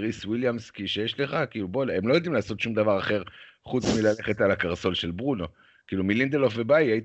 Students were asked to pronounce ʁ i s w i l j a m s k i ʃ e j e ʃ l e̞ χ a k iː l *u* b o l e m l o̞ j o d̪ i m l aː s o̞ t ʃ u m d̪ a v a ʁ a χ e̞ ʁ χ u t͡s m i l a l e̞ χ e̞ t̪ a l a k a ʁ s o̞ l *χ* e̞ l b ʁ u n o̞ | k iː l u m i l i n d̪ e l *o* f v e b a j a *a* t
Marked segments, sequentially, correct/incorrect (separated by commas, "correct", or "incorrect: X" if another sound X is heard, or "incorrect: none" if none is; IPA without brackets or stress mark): correct, incorrect: ʃ, correct, incorrect: i